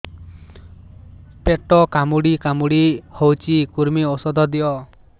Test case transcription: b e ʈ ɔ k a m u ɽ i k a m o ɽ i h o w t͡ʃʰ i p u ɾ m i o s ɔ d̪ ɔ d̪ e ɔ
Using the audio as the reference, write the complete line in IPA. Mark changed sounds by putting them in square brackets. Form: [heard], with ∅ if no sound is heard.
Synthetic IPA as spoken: [p] e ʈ ɔ k a m u ɽ i k a m [u] ɽ i h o w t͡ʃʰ i [k] u ɾ m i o s ɔ d̪ ɔ d̪ [i] ɔ